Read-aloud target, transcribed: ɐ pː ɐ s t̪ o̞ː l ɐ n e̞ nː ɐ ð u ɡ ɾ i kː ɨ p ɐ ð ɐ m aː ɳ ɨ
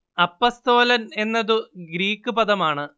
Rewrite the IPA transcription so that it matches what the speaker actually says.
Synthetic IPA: ɐ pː ɐ s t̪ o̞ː l ɐ n e̞ nː ɐ ð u ɡ ɾ iː kː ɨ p ɐ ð ɐ m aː ɳ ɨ